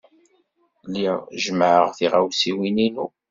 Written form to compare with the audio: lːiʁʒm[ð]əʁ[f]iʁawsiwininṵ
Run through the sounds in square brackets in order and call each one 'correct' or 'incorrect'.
incorrect, incorrect

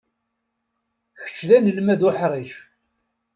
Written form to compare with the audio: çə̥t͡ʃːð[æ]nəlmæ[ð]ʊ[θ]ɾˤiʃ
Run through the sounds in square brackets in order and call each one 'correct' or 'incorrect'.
correct, correct, incorrect

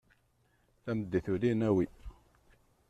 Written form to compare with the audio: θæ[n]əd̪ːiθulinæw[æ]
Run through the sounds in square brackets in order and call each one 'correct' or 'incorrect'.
incorrect, incorrect

